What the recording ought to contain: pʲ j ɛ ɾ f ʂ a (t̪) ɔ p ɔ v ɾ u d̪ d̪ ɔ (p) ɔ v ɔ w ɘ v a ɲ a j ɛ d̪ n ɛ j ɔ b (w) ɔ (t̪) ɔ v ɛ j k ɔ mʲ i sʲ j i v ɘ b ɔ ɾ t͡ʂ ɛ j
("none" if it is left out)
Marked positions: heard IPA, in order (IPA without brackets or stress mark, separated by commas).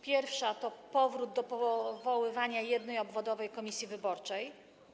t̪, p, v, d̪